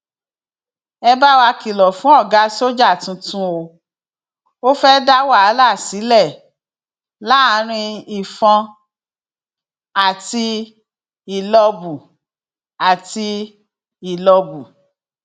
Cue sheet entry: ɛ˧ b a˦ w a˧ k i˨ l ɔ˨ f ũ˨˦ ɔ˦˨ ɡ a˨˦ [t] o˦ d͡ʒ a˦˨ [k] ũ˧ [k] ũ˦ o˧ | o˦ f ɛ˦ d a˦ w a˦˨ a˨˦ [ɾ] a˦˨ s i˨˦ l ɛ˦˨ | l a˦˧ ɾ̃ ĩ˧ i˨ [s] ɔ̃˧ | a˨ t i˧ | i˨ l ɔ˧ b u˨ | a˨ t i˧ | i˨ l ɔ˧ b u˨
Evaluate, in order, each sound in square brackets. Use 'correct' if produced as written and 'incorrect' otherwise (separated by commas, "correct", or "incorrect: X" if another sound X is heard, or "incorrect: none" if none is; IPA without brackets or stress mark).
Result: incorrect: s, incorrect: t, incorrect: t, incorrect: l, incorrect: f